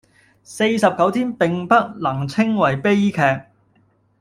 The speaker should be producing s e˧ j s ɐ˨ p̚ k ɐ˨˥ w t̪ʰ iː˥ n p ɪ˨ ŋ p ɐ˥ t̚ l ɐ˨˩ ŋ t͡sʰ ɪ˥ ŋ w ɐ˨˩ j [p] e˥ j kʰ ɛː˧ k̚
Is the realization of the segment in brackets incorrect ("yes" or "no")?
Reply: no